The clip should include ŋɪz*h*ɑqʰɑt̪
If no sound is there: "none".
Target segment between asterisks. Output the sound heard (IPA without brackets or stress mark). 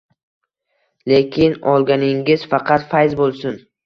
f